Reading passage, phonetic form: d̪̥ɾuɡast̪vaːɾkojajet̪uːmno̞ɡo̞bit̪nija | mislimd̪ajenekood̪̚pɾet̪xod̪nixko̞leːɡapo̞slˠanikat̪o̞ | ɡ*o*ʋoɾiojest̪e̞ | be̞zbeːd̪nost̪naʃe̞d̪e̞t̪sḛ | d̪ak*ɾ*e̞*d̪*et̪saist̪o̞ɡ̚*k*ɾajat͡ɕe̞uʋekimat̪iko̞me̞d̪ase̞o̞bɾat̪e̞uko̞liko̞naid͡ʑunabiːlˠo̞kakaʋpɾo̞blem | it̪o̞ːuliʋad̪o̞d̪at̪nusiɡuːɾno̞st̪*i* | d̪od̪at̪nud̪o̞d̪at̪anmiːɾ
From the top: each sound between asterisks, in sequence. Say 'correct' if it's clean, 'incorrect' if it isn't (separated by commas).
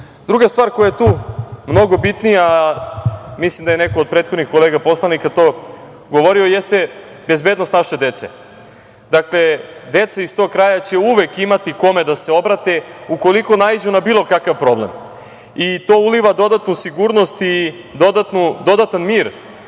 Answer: correct, incorrect, correct, correct, correct